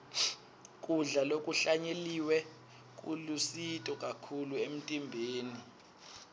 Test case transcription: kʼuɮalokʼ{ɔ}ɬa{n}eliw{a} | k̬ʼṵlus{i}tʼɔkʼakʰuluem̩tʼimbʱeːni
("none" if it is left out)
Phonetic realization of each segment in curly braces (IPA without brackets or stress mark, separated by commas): u, ɲ, ɛ, i